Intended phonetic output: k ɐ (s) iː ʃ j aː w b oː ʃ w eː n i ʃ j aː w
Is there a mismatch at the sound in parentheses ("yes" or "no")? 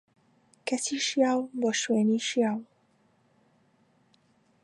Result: no